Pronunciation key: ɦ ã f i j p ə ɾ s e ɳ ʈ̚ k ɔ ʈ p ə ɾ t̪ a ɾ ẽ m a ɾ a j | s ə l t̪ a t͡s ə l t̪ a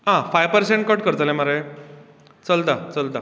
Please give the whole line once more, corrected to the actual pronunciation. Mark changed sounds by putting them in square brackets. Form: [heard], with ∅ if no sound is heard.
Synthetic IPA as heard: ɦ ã f [a] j p ə ɾ s e ɳ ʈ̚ k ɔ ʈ [k] ə ɾ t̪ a [l] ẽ m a ɾ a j | [t͡s] ə l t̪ a t͡s ə l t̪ a